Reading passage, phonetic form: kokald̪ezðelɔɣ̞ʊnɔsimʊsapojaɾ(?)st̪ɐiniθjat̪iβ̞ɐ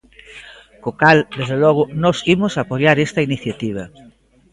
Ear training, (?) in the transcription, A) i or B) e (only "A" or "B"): B